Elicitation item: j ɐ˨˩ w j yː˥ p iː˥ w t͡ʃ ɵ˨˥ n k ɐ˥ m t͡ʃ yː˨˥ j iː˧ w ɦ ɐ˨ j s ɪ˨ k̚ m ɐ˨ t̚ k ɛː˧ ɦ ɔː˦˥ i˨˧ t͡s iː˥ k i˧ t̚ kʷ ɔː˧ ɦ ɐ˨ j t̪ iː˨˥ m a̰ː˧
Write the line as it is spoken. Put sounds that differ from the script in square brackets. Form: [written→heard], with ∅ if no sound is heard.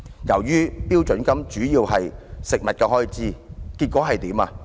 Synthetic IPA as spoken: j ɐ˨˩ w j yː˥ p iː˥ w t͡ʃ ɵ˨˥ n k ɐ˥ m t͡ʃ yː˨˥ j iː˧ w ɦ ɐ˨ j s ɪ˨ k̚ m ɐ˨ t̚ k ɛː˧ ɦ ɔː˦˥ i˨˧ t͡s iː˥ k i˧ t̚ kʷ [ɔː˧→ɔː˨˥] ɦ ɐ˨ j t̪ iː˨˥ m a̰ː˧